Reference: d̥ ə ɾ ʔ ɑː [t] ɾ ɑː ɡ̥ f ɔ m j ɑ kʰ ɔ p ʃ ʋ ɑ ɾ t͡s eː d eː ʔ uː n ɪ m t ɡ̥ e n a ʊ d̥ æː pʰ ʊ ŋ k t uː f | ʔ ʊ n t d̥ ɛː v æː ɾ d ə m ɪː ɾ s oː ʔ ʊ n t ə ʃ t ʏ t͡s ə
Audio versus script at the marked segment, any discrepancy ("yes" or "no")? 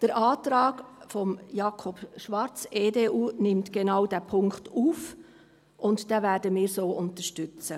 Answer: no